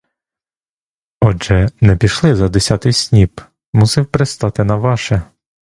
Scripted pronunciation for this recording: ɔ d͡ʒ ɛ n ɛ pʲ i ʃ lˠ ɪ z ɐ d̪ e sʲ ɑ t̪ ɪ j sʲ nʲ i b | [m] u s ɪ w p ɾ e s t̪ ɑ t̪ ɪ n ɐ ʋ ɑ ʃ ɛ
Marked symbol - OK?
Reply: yes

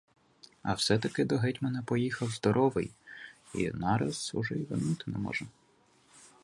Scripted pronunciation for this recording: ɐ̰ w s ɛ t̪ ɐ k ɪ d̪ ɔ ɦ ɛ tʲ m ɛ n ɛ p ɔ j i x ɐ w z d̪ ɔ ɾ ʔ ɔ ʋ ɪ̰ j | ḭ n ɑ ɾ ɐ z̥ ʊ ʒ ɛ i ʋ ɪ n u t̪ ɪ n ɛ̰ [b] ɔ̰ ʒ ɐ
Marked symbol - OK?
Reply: no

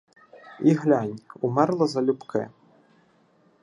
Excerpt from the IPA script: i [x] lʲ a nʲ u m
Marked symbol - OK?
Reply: no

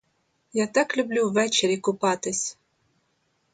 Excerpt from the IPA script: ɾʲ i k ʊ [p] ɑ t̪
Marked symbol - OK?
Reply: yes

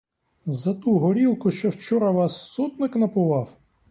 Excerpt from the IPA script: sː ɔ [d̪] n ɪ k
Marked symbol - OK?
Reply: no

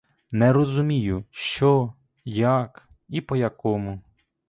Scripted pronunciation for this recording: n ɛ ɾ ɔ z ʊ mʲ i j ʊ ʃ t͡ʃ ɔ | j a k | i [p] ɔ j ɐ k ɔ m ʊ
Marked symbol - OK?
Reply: yes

